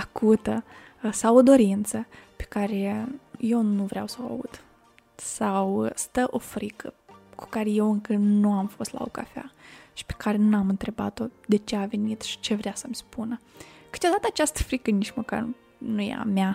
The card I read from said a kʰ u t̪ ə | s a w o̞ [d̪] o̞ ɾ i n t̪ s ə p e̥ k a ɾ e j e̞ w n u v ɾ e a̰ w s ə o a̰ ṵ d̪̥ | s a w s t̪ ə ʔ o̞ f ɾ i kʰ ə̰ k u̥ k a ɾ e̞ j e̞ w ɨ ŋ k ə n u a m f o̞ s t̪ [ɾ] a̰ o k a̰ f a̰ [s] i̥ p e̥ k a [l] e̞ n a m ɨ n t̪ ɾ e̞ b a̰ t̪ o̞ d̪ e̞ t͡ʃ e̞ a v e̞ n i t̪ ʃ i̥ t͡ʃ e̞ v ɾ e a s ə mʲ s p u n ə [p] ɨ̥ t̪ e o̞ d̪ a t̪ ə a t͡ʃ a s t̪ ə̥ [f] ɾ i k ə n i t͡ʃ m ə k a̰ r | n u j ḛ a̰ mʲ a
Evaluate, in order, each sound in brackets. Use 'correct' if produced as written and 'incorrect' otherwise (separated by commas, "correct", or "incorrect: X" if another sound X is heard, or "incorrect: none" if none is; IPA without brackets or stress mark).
correct, incorrect: l, incorrect: ʃ, incorrect: ɾ, incorrect: k, correct